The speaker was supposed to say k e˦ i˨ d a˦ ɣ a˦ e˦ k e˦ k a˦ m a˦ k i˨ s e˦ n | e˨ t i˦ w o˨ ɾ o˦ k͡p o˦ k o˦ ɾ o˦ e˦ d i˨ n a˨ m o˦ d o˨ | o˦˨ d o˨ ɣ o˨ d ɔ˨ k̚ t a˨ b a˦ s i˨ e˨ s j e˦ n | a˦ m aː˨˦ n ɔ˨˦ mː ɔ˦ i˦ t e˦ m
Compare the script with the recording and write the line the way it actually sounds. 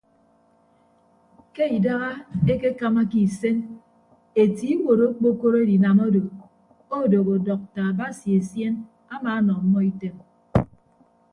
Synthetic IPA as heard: k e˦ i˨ d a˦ ɣ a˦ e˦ k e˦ k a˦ m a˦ k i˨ s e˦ n | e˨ t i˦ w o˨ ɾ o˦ k͡p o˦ k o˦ ɾ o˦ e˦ d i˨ n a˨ m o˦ d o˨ | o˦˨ d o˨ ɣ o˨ d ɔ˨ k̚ t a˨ b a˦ s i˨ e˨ s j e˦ n | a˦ m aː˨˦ n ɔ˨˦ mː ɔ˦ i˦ t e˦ m